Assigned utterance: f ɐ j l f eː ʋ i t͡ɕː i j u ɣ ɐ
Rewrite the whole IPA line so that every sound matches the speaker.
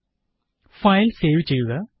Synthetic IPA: f ɐ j l s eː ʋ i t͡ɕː e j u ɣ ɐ